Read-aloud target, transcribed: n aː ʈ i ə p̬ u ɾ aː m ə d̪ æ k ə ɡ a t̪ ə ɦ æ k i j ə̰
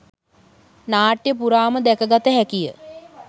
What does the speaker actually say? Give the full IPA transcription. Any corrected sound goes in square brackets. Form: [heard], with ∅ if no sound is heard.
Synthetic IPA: n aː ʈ [j] ə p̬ u ɾ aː m ə d̪ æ k ə ɡ a t̪ ə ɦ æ k i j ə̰